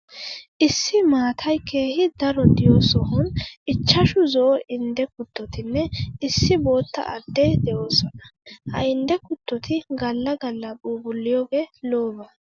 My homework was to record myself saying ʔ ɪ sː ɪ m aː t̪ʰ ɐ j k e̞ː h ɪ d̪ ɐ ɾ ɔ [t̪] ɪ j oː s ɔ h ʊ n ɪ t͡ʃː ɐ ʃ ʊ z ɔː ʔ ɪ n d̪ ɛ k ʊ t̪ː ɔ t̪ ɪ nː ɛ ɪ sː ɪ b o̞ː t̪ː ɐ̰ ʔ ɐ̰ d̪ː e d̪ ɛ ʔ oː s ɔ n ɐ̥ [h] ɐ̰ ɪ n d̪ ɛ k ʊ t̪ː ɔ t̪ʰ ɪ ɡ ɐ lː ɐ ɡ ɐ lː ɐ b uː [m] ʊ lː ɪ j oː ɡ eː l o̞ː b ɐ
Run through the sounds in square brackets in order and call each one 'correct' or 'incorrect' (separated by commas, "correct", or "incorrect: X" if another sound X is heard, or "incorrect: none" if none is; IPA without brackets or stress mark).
incorrect: d̪, correct, incorrect: b